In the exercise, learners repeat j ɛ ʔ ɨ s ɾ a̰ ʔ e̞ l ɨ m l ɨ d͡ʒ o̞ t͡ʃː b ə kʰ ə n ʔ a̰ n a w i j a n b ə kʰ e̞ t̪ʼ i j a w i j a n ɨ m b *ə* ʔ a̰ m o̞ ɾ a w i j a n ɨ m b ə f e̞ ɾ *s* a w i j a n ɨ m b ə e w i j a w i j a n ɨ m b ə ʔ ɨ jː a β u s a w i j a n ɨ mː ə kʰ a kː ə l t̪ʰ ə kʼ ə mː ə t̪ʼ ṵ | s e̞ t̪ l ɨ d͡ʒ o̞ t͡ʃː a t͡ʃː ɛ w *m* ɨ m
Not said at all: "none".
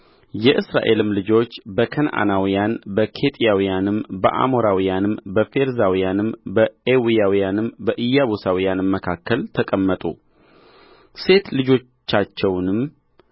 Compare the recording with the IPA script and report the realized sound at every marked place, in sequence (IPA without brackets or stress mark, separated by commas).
ə, z, n